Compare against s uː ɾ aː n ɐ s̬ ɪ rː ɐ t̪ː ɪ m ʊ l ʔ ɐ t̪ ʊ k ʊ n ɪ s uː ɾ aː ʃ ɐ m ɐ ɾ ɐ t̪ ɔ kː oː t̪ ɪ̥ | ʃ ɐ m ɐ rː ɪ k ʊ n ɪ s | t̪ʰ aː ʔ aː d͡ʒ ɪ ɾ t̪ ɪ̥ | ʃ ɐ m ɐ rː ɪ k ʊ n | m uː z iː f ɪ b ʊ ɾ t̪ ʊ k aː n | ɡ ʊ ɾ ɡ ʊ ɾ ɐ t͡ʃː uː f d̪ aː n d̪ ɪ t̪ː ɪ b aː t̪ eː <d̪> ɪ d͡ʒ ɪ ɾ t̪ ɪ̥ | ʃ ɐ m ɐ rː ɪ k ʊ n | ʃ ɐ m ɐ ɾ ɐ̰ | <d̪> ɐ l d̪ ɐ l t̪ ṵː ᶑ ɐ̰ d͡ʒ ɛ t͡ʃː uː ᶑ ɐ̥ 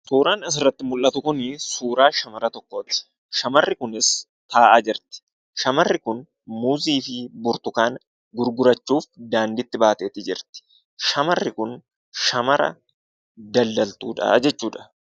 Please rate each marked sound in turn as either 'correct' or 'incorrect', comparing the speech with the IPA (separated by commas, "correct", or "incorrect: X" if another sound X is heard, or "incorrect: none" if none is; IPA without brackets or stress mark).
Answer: incorrect: t̪, correct